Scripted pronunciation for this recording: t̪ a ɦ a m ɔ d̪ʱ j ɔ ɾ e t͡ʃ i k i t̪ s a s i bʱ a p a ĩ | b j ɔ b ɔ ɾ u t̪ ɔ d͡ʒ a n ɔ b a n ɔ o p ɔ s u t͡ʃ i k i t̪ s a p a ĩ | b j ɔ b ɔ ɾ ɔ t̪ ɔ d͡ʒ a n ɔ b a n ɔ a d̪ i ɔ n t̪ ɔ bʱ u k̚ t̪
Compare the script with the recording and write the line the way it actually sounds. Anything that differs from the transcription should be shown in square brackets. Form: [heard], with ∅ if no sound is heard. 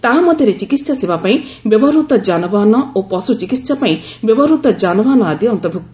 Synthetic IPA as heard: t̪ a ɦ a m ɔ d̪ʱ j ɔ ɾ e t͡ʃ i k i t̪ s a s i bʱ a p a ĩ | b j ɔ b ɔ ɾ u t̪ ɔ d͡ʒ a n ɔ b a n ɔ o p ɔ s u t͡ʃ i k i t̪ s a p a ĩ | b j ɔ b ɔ ɾ [u] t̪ ɔ d͡ʒ a n ɔ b a n ɔ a d̪ i ɔ n t̪ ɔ bʱ u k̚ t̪

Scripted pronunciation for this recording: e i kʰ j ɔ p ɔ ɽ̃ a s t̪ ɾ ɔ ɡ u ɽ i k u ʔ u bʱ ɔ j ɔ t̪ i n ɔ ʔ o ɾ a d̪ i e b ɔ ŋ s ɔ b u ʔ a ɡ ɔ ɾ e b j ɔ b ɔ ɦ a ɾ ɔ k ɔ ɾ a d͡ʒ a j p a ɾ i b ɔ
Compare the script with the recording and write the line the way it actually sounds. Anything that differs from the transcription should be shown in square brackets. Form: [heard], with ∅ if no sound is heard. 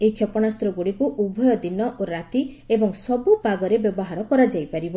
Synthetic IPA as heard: e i kʰ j ɔ p ɔ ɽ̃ a s t̪ ɾ ɔ ɡ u ɽ i k u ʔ u bʱ ɔ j ɔ [d̪] i n ɔ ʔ o ɾ a [t̪] i e b ɔ ŋ s ɔ b u [p] a ɡ ɔ ɾ e b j ɔ b ɔ ɦ a ɾ ɔ k ɔ ɾ a d͡ʒ a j p a ɾ i b ɔ

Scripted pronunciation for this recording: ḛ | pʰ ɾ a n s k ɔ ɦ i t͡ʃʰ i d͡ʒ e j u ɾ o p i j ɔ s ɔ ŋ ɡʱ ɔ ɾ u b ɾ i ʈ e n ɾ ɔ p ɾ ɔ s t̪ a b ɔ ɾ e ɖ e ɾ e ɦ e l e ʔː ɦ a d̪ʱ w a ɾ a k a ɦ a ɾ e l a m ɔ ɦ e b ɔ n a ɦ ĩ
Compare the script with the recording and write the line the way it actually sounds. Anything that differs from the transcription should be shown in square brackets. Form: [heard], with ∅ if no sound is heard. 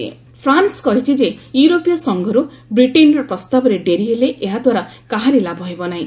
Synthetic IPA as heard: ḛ | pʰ ɾ a n s k ɔ ɦ i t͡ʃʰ i d͡ʒ e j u ɾ o p i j ɔ s ɔ ŋ ɡʱ ɔ ɾ u b ɾ i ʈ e n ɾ ɔ p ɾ ɔ s t̪ a b ɔ ɾ e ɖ e ɾ [i] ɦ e l e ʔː ɦ a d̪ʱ w a ɾ a k a ɦ a ɾ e l a [b] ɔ ɦ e b ɔ n a ɦ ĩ

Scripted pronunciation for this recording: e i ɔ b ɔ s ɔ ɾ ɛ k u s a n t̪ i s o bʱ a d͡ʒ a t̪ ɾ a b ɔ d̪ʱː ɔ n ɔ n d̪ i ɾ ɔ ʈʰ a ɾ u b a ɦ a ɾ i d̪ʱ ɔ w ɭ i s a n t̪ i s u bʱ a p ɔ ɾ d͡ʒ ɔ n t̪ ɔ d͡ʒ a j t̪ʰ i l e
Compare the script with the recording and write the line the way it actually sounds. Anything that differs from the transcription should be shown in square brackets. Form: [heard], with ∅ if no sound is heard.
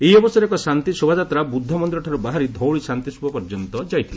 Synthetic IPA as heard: e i ɔ b ɔ s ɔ ɾ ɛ k [ɔ] s a n t̪ i s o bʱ a d͡ʒ a t̪ ɾ a b [u] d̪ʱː ɔ [m] ɔ n d̪ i ɾ ɔ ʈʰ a ɾ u b a ɦ a ɾ i d̪ʱ ɔ w ɭ i s a n t̪ i s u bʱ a p ɔ ɾ d͡ʒ ɔ n t̪ ɔ d͡ʒ a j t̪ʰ i l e

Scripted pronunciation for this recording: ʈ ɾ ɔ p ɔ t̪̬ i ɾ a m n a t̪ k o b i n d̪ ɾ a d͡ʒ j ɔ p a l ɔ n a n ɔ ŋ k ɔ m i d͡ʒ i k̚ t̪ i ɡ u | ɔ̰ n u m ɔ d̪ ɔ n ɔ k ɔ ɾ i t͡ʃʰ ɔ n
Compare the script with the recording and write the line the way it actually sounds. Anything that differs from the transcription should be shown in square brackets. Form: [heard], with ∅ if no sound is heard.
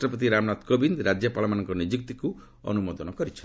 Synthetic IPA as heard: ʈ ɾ ɔ p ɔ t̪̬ i ɾ a m n a t̪ k o b i n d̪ ɾ a d͡ʒ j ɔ p a l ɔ [m] a n ɔ ŋ k ɔ [n] i d͡ʒ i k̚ t̪ i [k] u | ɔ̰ n u m ɔ d̪ ɔ n ɔ k ɔ ɾ i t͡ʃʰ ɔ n

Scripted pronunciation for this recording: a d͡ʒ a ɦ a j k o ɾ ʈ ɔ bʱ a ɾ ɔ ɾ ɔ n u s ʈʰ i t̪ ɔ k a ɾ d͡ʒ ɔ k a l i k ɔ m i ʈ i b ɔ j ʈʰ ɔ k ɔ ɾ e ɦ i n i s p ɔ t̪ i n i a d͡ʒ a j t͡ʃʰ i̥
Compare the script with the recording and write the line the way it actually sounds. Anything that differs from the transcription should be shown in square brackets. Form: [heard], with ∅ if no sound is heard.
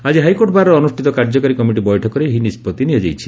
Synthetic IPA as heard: a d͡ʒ [i] ɦ a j k o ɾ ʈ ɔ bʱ a ɾ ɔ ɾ ɔ n u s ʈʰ i t̪ ɔ k a ɾ d͡ʒ ɔ k a [ɾ] i k ɔ m i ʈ i b ɔ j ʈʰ ɔ k ɔ ɾ e ɦ i n i s p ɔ t̪ i n i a d͡ʒ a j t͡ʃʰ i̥

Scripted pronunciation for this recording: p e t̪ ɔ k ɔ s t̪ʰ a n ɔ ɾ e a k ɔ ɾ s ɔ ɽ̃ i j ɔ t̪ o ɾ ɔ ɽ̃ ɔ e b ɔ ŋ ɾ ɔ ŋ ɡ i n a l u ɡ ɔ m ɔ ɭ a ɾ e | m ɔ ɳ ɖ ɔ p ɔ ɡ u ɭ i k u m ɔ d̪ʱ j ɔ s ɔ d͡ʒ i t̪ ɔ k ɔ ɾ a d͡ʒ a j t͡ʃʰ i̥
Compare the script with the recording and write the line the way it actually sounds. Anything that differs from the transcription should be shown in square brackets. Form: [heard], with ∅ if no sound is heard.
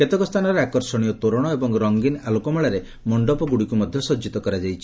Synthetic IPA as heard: [k] e t̪ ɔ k ɔ s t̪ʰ a n ɔ ɾ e a k ɔ ɾ s ɔ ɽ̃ i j ɔ t̪ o ɾ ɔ ɽ̃ ɔ e b ɔ ŋ ɾ ɔ ŋ ɡ i n a l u [k] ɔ m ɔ ɭ a ɾ e | m ɔ ɳ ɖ ɔ p ɔ ɡ u [ɽ] i k u m ɔ d̪ʱ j ɔ s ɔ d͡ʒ i t̪ ɔ k ɔ ɾ a d͡ʒ a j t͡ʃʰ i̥

